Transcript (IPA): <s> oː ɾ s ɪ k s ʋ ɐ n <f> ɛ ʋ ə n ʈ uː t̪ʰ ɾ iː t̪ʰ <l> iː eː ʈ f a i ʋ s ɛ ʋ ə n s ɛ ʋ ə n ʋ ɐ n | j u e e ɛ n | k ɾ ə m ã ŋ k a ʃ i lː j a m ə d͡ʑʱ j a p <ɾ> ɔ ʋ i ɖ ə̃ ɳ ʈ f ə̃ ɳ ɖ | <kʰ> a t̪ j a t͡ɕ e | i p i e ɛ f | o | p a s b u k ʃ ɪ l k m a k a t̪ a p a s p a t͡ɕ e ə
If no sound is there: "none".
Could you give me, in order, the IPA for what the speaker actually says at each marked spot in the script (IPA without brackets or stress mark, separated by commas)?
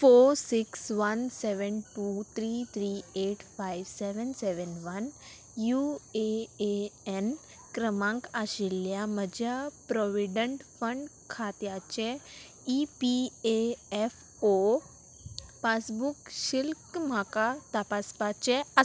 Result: f, s, ɾ, ɾ, kʰ